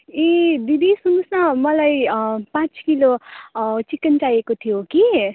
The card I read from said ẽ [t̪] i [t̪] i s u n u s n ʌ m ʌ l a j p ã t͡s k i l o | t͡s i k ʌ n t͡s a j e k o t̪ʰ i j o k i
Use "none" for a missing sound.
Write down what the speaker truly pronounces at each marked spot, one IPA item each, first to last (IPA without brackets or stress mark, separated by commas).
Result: d̪, d̪